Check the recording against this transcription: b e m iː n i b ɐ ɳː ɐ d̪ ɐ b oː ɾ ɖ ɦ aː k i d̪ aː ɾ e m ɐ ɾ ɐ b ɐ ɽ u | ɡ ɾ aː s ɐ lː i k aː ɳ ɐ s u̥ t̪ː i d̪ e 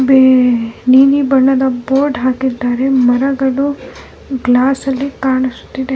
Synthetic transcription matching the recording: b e n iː n i b ɐ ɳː ɐ d̪ ɐ b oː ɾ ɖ ɦ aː k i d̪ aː ɾ e m ɐ ɾ ɐ ɡ ɐ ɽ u | ɡ l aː s ɐ lː i k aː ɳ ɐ s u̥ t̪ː i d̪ e